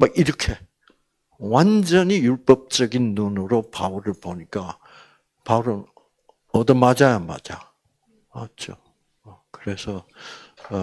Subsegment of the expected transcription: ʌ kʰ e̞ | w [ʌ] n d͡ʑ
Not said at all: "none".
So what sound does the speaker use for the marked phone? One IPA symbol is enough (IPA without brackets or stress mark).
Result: a